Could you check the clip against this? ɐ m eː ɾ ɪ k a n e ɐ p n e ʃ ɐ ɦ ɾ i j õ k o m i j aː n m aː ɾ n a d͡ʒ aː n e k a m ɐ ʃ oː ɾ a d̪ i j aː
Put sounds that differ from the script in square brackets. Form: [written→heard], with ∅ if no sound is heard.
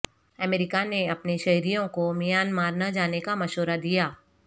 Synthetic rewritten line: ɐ m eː ɾ ɪ k a n e ɐ p n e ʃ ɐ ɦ ɾ i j õ k o m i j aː n m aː ɾ n a d͡ʒ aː n e k a m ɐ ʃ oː ɾ a d̪ i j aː